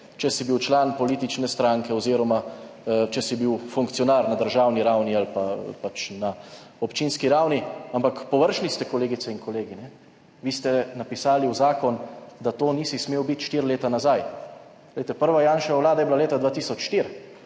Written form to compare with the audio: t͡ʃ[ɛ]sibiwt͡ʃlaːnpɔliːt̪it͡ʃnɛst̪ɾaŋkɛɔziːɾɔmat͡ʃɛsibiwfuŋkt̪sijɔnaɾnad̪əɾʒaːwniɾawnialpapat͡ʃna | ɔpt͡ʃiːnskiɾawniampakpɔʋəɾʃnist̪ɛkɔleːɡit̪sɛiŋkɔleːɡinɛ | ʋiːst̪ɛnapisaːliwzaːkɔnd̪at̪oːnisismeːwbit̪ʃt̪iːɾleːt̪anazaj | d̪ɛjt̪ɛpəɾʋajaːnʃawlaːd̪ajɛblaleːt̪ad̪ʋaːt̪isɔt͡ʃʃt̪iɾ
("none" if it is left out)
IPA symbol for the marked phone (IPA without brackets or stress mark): ɛ